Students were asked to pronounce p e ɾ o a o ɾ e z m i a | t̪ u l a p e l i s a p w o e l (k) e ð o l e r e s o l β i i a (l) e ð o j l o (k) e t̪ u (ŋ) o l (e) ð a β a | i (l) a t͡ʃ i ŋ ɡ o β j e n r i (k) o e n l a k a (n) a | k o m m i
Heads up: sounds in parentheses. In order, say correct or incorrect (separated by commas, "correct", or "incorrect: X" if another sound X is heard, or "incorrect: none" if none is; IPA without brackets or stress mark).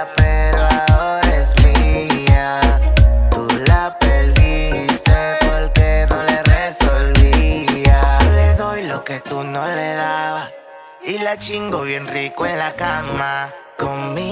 correct, correct, correct, incorrect: n, correct, correct, correct, incorrect: m